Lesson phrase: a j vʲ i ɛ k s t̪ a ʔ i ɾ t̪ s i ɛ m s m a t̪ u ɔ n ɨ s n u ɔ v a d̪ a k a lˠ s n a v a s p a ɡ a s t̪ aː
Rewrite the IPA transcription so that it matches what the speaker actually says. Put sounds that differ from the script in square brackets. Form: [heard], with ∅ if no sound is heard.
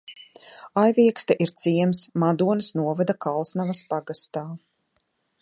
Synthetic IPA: a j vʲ i ɛ k s t̪ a ʔ i ɾ t̪ s i ɛ m s m a [d̪] u ɔ n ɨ s n u ɔ v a d̪ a k a lˠ s n a v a s p a ɡ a s t̪ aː